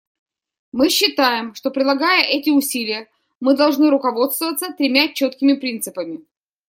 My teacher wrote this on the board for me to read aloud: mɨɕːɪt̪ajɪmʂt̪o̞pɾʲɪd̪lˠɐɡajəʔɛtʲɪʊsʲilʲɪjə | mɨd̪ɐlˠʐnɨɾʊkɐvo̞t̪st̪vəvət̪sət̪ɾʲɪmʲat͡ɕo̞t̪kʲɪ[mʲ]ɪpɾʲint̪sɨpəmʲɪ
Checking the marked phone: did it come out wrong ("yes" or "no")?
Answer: no